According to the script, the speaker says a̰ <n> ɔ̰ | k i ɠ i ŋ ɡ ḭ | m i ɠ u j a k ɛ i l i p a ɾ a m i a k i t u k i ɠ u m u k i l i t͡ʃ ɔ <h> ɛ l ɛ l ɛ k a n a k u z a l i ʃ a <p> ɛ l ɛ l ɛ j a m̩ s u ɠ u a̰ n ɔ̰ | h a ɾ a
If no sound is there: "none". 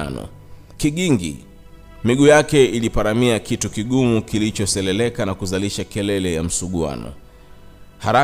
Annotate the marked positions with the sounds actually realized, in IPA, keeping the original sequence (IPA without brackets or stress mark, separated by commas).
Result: n, s, k